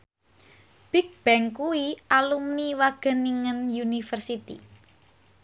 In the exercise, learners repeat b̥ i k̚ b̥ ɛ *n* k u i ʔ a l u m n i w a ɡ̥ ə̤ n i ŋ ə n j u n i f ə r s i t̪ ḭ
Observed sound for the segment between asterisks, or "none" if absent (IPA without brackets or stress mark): ŋ